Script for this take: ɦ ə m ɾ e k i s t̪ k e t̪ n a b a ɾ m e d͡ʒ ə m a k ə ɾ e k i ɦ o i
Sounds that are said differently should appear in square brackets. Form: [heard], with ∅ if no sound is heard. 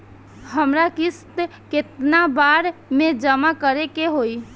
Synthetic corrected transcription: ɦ ə m ɾ [a] k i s t̪ k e t̪ n a b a ɾ m e d͡ʒ ə m a k ə ɾ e k [e] ɦ o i